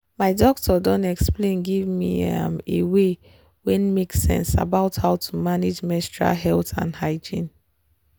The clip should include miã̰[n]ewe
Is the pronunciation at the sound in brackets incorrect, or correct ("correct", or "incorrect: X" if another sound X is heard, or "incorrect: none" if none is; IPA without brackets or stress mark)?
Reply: incorrect: m